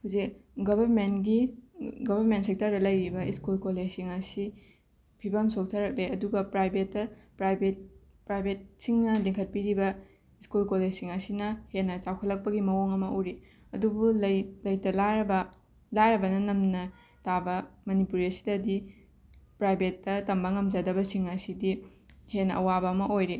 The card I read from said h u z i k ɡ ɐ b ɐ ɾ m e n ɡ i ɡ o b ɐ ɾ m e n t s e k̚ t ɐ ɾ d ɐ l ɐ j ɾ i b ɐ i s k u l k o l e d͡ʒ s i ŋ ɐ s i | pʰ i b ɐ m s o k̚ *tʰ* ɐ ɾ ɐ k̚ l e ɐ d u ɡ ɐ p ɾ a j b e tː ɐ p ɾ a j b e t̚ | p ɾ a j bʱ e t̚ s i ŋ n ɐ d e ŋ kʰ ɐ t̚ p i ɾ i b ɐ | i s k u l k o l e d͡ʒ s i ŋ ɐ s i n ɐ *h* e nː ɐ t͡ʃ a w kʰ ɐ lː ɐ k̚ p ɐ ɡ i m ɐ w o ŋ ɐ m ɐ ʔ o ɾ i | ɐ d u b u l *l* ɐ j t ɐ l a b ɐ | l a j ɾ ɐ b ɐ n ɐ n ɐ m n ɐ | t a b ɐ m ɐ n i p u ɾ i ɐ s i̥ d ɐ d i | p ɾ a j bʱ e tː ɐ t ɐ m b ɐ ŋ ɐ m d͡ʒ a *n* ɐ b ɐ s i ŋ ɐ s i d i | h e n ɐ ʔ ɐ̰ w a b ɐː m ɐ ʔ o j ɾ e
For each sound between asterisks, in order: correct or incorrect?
correct, correct, correct, incorrect

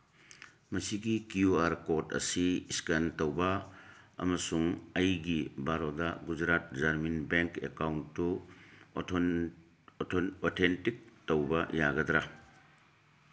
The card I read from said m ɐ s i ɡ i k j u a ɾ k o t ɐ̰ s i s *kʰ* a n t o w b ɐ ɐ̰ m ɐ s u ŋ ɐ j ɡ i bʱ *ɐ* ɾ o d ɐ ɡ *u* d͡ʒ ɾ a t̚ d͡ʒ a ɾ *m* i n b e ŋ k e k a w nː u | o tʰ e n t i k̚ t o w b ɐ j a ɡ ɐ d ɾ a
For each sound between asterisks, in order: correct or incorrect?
incorrect, incorrect, correct, correct

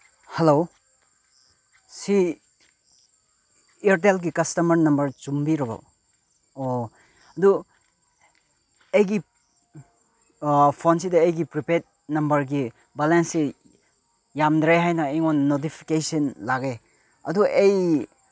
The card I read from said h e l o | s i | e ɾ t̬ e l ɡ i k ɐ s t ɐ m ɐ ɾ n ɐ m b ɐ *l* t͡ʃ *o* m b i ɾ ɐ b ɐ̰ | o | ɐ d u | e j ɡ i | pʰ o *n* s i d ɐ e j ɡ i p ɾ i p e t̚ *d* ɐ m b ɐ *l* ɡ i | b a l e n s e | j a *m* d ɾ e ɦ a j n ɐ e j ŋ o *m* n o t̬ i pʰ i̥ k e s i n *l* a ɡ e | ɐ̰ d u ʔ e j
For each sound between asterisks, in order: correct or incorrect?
incorrect, incorrect, correct, incorrect, incorrect, correct, incorrect, correct

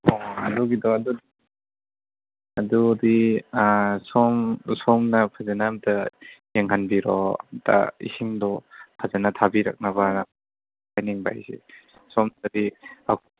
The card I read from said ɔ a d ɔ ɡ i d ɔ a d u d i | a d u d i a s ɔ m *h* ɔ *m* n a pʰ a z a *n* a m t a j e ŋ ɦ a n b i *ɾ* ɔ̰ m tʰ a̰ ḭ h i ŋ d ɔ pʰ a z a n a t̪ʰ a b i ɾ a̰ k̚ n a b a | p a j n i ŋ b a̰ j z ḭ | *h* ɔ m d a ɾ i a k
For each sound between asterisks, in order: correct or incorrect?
incorrect, correct, correct, correct, incorrect

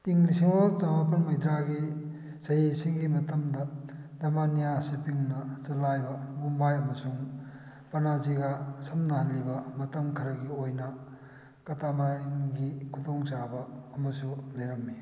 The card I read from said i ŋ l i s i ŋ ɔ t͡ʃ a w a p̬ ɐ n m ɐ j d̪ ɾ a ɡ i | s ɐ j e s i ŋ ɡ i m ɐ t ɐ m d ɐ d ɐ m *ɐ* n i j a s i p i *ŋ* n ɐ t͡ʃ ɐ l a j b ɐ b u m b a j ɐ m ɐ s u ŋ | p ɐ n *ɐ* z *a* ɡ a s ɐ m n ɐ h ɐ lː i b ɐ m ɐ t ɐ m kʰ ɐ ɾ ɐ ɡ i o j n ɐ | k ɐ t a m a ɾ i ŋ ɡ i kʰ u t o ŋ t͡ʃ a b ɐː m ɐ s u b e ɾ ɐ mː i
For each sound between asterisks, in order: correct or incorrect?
incorrect, correct, incorrect, incorrect

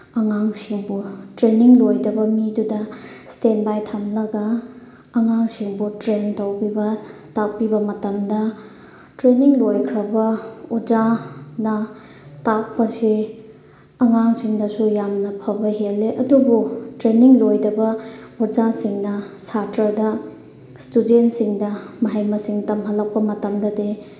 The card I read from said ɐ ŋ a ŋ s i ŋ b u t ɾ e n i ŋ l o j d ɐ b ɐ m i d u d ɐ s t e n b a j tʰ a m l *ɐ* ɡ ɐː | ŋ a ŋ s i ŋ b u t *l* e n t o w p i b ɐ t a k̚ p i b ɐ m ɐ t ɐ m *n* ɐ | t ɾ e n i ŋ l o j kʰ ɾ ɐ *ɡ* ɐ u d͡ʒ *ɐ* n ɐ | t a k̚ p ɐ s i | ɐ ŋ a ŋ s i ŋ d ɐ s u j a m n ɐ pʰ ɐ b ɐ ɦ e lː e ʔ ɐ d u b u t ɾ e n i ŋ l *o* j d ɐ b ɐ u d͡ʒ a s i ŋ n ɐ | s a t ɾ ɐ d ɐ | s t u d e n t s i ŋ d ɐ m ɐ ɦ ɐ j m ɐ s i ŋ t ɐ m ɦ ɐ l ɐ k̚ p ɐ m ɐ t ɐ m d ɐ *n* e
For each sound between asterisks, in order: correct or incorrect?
correct, incorrect, incorrect, incorrect, incorrect, correct, incorrect

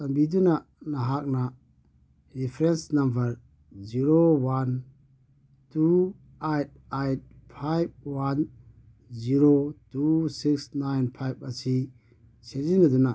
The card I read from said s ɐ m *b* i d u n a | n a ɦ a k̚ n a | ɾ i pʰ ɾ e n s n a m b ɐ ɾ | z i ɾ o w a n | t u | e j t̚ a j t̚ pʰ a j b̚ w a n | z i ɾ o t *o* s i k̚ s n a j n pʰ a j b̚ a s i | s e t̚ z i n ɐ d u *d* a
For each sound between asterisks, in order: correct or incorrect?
correct, incorrect, incorrect

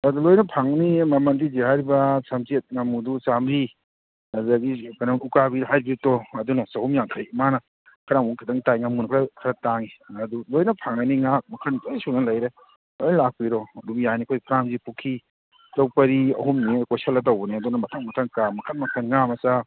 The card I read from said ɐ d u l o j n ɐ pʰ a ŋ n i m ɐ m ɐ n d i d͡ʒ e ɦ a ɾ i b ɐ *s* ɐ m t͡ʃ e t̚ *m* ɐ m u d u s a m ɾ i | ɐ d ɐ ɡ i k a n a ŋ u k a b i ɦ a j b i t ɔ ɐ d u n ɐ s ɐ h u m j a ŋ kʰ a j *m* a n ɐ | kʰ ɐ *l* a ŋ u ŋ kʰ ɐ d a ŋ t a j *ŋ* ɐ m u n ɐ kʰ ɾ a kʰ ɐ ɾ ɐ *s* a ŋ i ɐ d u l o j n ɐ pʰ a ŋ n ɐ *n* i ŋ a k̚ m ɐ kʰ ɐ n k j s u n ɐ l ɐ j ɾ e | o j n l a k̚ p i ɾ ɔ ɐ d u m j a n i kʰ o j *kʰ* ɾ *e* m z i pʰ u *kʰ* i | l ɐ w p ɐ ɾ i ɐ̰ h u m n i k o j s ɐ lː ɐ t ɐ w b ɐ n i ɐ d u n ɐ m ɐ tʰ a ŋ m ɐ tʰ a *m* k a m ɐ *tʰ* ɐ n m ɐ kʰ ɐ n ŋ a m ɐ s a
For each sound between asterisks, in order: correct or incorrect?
correct, incorrect, correct, incorrect, correct, incorrect, correct, incorrect, incorrect, correct, incorrect, incorrect

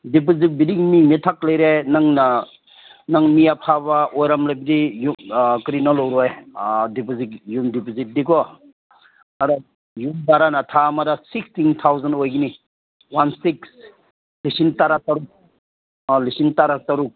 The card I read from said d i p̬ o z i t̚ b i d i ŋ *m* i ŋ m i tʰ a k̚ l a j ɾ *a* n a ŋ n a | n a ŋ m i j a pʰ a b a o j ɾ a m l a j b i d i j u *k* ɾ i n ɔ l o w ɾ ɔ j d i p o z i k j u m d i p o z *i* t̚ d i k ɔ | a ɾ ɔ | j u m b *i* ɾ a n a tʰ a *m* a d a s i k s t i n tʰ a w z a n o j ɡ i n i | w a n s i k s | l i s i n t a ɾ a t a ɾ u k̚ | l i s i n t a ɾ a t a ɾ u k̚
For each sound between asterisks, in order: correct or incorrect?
correct, incorrect, correct, correct, incorrect, correct

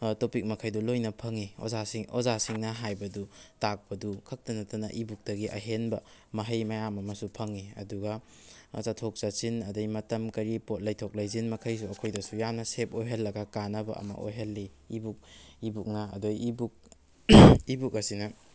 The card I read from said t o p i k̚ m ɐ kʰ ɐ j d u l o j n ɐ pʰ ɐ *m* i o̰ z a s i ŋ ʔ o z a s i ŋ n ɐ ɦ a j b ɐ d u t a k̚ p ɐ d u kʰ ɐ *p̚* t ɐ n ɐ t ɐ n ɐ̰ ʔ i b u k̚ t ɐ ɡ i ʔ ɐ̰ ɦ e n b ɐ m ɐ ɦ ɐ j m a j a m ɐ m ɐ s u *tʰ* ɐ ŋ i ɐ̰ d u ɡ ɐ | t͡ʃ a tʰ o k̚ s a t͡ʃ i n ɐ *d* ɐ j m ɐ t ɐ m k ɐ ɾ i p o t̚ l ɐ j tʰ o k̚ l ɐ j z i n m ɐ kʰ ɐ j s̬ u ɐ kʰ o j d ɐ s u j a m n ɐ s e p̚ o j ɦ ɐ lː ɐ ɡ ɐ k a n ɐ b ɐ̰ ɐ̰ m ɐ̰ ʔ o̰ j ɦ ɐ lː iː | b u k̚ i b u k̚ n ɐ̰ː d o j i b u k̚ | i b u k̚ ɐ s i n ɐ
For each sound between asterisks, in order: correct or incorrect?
incorrect, incorrect, incorrect, correct

